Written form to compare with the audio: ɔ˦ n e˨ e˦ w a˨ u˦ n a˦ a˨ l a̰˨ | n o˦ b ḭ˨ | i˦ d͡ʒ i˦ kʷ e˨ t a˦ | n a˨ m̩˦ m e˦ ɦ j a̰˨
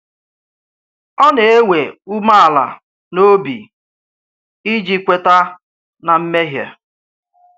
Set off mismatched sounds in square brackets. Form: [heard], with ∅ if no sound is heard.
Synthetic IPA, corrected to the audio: ɔ˦ n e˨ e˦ w [e˨] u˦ [m] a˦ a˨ l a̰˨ | n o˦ b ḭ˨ | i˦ d͡ʒ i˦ kʷ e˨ t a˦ | n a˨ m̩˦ m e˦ ɦ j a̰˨